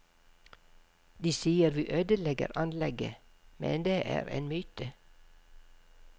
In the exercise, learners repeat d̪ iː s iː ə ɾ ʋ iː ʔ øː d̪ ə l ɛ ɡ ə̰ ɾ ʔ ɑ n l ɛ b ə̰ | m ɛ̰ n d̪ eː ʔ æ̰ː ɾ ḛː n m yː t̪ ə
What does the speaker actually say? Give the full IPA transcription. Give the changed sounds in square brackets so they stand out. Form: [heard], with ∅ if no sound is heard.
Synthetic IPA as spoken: d̪ iː s iː ə ɾ ʋ iː ʔ øː d̪ ə l ɛ ɡ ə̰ ɾ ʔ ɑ n l ɛ [ɡ] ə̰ | m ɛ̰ n d̪ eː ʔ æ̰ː ɾ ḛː n m yː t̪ ə